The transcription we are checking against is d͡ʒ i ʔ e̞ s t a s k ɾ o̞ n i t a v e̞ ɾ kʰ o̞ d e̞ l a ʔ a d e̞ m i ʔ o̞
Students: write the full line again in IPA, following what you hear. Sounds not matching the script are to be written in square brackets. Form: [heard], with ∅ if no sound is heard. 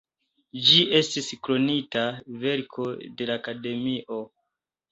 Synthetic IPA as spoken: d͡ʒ i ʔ e̞ s t [i] s k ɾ o̞ n i t a v e̞ ɾ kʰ o̞ d e̞ l a [k] a d e̞ m i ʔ o̞